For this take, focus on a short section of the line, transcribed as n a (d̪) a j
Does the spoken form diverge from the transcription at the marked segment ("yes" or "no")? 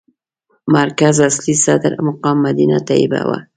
yes